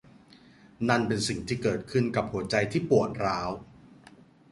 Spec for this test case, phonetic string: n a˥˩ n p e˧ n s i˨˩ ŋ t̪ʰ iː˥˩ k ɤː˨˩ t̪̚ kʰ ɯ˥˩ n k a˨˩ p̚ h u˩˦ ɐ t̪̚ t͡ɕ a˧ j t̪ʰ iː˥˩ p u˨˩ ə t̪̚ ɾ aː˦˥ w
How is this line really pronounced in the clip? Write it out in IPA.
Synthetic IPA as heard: n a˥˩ n p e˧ n s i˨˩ ŋ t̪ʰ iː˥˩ k ɤː˨˩ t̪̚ kʰ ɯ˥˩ n k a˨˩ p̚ h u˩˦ ɐ t͡ɕ a˧ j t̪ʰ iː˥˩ p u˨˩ ə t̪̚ ɾ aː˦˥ w